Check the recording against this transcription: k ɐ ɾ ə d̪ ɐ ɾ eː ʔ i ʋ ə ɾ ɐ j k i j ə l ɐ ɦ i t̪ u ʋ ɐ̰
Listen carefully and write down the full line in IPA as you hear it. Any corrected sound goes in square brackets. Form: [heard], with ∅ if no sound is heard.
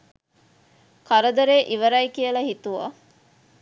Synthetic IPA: k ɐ ɾ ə d̪ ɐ ɾ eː ʔ i ʋ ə ɾ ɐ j k i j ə l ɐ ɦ i t̪ u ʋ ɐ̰